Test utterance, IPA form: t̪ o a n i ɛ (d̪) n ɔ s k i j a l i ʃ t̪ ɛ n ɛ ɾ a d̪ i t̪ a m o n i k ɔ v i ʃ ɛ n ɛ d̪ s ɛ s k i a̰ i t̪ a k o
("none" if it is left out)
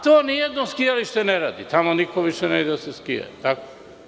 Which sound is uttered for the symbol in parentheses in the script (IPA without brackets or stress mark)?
d̪